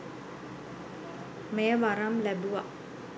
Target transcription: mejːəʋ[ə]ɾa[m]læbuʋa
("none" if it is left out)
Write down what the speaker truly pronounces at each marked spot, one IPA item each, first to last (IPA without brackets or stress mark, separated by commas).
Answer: a, m